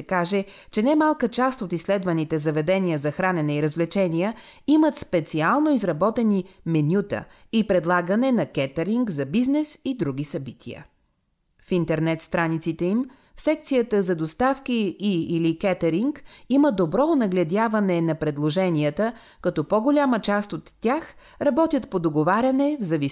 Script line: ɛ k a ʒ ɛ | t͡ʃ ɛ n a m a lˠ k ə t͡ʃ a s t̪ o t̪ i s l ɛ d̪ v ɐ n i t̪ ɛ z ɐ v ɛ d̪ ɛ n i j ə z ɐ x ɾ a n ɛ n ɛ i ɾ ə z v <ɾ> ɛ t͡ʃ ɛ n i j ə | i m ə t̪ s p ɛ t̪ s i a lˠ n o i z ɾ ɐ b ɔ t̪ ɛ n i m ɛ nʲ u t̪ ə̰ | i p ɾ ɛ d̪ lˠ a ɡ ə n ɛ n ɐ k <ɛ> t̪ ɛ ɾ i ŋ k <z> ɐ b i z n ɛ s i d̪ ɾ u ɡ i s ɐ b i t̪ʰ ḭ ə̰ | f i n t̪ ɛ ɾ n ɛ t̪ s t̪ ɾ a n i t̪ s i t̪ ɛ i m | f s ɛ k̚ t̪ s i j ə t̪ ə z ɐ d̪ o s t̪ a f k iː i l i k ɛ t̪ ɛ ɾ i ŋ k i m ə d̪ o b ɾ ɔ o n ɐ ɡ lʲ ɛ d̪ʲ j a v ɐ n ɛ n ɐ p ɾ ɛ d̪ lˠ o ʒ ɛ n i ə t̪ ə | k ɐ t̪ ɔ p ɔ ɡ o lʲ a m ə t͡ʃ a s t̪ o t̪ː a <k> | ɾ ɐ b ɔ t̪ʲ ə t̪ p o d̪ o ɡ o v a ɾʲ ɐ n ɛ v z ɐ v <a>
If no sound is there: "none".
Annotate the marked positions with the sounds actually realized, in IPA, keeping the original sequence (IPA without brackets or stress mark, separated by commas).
l, ɛ, z, x, i